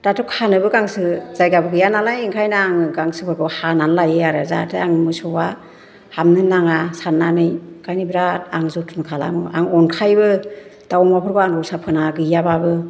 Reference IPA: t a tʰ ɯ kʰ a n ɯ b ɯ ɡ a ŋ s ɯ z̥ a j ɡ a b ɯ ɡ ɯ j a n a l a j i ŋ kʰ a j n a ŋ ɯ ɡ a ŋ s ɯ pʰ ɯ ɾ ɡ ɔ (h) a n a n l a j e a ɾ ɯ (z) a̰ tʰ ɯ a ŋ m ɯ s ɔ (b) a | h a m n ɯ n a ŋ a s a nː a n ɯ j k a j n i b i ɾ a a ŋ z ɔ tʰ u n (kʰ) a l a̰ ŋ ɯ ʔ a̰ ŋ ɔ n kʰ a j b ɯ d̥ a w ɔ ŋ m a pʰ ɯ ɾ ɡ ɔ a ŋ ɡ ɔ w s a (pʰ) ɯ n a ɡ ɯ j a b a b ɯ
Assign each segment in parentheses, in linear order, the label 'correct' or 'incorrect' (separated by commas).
correct, correct, incorrect, correct, correct